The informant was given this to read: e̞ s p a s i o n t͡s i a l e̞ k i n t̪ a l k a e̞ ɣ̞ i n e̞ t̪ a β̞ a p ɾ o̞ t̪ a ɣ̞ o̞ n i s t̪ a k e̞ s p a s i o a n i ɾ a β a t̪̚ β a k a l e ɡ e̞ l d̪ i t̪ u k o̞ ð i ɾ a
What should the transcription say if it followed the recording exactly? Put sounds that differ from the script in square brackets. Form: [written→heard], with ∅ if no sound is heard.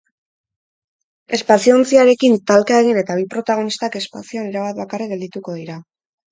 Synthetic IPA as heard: e̞ s p a s i o n t͡s i a [l→ɾ] e̞ k i n t̪ a l k a e̞ ɣ̞ i n e̞ t̪ a β̞ [a→i] p ɾ o̞ t̪ a ɣ̞ o̞ n i s t̪ a k e̞ s p a s i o a n i ɾ a β a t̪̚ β a k a [l→r] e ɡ e̞ l d̪ i t̪ u k o̞ ð i ɾ a